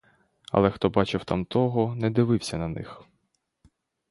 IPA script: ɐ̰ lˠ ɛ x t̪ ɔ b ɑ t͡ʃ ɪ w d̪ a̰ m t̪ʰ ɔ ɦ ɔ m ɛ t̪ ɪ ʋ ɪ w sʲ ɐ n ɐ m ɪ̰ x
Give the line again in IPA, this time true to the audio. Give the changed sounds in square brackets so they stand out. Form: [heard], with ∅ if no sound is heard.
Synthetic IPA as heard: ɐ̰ lˠ ɛ x t̪ ɔ b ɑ t͡ʃ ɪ w [t̪] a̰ m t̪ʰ ɔ ɦ ɔ [n] ɛ [d̪] ɪ ʋ ɪ w sʲ ɐ n ɐ [n] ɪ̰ x